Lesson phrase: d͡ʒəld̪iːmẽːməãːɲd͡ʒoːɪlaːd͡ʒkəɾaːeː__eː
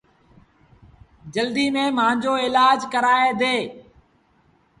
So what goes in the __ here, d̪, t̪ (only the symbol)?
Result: d̪